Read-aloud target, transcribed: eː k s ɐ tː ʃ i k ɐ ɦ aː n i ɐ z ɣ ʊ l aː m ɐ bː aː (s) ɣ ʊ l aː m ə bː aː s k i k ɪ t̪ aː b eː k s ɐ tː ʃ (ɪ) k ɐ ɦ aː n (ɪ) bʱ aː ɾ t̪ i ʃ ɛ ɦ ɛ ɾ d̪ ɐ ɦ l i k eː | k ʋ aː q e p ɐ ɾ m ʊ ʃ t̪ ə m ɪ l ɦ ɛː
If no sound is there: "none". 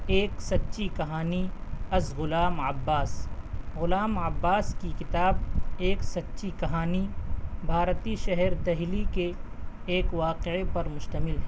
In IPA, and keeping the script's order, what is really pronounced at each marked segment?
s, i, i

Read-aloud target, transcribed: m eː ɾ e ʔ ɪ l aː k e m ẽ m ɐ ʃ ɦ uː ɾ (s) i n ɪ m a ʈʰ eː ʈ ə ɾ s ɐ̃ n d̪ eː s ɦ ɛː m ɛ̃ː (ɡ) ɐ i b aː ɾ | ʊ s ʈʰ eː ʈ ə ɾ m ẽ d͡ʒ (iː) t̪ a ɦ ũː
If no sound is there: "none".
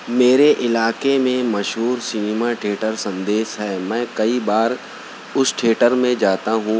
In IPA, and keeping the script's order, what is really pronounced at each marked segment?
s, k, aː

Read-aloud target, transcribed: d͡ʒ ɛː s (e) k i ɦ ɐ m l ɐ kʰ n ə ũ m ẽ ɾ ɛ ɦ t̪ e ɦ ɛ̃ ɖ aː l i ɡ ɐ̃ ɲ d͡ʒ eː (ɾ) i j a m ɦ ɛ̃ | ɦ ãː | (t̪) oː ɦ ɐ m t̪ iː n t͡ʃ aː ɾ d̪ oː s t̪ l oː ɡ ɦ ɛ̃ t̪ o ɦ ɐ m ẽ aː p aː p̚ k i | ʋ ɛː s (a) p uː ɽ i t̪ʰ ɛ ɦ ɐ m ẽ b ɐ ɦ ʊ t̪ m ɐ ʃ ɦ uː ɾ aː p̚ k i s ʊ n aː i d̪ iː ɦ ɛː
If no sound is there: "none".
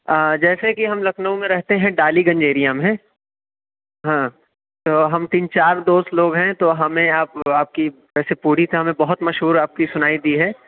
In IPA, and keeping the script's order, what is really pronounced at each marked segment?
e, ɾ, t̪, e

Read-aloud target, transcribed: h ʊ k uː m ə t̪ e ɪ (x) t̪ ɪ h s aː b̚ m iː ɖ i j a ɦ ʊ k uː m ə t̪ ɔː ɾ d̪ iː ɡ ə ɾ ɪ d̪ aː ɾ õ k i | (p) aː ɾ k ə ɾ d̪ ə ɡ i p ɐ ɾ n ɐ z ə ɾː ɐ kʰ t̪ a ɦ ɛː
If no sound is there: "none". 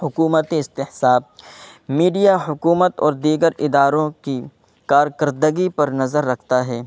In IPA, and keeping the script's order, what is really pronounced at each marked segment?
s, k

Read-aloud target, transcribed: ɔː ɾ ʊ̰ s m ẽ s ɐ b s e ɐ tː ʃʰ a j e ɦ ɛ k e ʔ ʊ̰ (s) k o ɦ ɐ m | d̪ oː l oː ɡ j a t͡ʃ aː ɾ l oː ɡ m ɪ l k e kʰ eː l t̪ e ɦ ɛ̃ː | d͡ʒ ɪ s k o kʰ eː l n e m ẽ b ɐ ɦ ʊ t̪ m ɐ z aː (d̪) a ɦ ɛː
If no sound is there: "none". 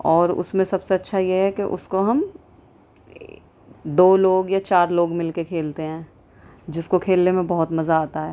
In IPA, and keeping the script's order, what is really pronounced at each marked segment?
s, t̪

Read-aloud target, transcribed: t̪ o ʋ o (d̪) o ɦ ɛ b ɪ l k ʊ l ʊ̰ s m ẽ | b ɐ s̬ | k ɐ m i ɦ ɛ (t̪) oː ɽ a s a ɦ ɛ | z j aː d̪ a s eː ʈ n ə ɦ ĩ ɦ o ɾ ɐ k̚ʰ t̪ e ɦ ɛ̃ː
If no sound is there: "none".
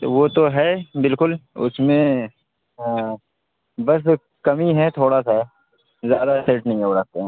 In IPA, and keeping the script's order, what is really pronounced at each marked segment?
t̪, t̪ʰ

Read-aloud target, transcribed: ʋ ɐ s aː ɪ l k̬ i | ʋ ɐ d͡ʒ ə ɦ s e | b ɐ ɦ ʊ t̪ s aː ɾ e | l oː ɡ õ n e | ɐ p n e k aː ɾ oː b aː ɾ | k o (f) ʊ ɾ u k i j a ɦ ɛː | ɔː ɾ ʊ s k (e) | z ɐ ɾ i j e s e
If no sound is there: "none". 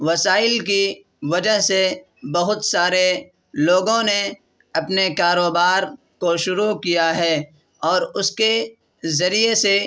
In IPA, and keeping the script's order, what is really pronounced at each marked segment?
ʃ, e

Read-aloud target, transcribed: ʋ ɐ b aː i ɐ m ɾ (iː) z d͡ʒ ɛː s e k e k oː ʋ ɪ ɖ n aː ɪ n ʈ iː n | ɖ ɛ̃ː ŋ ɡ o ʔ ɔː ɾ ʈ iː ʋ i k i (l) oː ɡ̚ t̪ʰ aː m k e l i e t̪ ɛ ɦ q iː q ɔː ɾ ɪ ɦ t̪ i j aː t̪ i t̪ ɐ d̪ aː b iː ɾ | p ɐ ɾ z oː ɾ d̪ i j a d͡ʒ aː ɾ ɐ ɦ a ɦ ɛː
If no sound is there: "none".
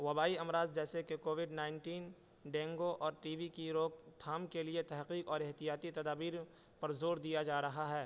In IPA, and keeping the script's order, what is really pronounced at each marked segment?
aː, ɾ

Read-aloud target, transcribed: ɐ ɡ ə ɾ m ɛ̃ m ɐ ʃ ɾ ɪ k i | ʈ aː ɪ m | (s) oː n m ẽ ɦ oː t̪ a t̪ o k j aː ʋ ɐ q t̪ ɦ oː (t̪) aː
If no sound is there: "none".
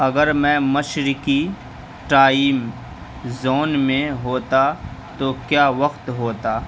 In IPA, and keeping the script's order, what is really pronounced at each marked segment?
z, t̪

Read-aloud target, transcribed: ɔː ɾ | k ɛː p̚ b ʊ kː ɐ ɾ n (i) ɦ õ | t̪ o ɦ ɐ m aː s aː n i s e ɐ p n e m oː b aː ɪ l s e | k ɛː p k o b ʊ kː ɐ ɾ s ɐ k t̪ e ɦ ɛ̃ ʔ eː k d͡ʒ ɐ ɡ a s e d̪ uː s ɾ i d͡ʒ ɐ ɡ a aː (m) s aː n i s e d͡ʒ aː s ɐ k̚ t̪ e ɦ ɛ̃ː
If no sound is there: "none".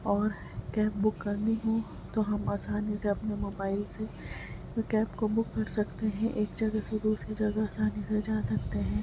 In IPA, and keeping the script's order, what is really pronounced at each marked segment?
i, none

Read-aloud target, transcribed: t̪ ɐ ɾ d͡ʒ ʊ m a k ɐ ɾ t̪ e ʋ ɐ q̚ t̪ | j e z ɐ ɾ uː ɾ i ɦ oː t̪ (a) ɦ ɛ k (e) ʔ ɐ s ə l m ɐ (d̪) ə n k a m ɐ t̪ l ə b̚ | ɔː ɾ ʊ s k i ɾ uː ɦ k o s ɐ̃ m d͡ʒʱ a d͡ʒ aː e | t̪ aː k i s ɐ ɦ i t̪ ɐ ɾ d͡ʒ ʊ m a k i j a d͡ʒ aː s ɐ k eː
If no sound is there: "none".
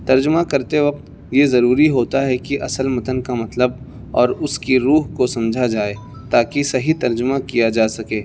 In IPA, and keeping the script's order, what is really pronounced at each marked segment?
a, i, t̪

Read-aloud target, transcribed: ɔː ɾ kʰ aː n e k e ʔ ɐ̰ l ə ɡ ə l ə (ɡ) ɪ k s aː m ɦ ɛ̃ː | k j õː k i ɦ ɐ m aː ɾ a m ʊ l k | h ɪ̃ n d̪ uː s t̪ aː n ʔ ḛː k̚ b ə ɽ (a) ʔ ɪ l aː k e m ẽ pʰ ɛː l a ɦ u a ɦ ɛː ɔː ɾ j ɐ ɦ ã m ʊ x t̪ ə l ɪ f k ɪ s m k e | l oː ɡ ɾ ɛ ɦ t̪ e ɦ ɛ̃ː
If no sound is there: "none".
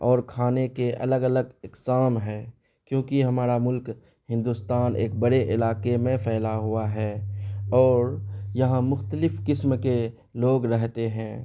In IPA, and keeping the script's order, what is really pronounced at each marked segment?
ɡ, e

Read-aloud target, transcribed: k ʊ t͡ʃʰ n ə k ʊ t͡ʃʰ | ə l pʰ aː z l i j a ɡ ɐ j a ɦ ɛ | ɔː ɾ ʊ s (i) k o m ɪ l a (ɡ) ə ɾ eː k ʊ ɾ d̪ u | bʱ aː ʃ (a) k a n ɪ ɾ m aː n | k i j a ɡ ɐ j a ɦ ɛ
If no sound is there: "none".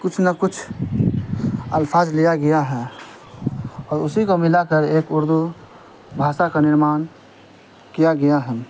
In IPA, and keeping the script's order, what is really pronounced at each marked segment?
i, k, a

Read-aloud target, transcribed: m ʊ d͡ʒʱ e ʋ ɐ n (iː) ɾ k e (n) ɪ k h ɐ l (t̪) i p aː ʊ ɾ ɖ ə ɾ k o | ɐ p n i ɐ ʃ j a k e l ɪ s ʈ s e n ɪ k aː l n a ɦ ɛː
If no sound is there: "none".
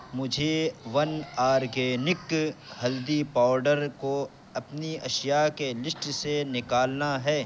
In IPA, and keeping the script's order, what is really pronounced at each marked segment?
aː, n, d̪

